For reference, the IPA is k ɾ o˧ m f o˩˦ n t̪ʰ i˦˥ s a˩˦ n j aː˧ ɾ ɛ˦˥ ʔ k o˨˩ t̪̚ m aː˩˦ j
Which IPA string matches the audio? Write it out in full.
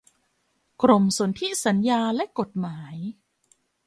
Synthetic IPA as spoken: k ɾ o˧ m s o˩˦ n t̪ʰ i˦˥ s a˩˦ n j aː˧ l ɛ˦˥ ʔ k o˨˩ t̪̚ m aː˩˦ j